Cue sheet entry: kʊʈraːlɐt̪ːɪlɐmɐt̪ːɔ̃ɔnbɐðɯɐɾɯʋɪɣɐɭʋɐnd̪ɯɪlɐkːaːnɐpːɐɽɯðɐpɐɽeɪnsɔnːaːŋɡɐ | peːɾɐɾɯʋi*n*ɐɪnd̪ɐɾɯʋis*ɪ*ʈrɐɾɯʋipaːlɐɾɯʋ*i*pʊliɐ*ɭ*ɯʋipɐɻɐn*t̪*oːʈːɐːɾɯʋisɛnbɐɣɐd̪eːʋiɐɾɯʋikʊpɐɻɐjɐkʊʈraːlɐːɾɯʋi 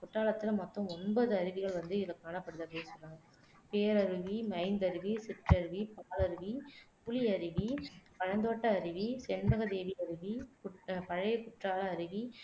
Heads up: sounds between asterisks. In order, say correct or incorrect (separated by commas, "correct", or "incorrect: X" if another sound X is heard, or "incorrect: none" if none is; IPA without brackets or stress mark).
incorrect: m, correct, correct, incorrect: ɾ, incorrect: d̪